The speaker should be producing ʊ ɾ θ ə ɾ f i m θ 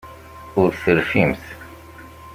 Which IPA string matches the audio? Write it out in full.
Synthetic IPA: ʊ ɾ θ ə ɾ f i m θ